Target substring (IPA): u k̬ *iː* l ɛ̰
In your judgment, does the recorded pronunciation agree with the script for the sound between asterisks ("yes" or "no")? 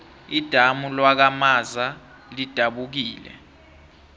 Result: yes